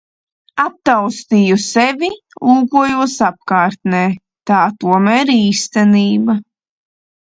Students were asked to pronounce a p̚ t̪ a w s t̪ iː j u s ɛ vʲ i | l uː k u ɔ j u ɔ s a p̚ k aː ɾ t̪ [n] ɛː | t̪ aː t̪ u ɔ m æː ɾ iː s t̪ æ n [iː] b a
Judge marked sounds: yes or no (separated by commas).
yes, yes